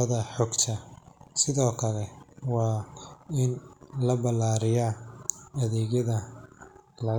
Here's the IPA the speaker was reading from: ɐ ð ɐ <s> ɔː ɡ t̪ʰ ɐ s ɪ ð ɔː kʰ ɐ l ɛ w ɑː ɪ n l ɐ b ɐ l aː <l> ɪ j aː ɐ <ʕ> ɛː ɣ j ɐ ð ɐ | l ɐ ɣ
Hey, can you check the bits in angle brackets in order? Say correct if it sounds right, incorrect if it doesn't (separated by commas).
incorrect, incorrect, incorrect